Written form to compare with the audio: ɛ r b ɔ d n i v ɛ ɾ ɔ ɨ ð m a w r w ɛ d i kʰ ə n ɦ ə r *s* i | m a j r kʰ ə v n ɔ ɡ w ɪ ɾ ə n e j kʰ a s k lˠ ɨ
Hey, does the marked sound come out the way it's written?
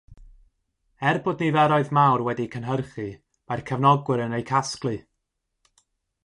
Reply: no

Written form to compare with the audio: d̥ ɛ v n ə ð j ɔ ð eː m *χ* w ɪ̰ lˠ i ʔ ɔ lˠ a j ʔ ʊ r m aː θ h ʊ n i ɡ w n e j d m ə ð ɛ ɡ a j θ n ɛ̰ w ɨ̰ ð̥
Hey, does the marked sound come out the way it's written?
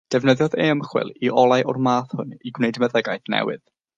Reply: yes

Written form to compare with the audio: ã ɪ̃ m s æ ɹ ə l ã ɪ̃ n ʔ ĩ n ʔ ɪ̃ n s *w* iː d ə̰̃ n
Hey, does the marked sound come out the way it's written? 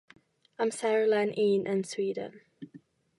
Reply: yes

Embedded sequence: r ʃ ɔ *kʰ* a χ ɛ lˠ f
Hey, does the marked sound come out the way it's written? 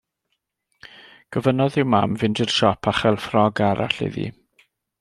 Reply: no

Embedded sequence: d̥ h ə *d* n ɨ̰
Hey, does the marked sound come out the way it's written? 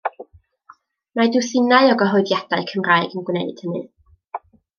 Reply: no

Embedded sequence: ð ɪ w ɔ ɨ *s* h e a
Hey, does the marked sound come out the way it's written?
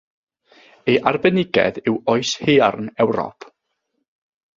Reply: yes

